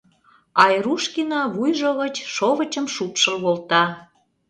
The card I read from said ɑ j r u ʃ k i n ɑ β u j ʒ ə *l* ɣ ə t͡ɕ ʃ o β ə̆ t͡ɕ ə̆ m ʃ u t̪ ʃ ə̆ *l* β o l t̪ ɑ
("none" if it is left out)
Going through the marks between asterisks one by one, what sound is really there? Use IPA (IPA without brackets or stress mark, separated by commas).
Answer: none, l